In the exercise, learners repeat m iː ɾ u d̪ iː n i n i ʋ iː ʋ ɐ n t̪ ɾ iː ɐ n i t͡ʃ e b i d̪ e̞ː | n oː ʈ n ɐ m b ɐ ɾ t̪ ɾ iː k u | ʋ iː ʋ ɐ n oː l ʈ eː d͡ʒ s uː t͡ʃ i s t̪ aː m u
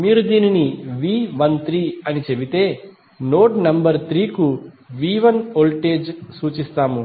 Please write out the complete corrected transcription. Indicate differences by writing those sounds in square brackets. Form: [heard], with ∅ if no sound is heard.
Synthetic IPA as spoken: m iː ɾ u d̪ iː n i n i ʋ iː ʋ ɐ n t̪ ɾ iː ɐ n i t͡ʃ e b i [t̪] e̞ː | n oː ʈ n ɐ m b ɐ ɾ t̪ ɾ iː k u | ʋ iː ʋ ɐ n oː l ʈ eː d͡ʒ s uː t͡ʃ i s t̪ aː m u